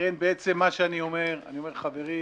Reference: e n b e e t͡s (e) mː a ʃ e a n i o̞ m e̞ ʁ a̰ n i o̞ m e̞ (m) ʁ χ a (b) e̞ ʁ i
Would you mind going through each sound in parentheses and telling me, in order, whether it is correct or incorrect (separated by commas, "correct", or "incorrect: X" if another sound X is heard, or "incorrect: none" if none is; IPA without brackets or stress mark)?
correct, incorrect: none, incorrect: v